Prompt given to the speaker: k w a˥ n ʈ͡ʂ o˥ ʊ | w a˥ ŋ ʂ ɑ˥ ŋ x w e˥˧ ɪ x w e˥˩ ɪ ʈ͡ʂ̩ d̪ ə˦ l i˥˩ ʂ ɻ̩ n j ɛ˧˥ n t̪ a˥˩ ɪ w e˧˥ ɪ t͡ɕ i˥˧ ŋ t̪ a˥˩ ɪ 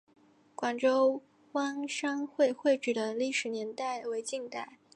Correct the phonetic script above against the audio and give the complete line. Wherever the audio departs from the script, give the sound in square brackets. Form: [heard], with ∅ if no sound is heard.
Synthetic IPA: k w [a˨˩] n ʈ͡ʂ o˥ ʊ | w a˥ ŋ ʂ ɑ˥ ŋ x w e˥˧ ɪ x w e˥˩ ɪ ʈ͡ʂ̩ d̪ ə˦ l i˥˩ ʂ ɻ̩ n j ɛ˧˥ n t̪ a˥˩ ɪ w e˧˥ ɪ t͡ɕ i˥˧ ŋ t̪ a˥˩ ɪ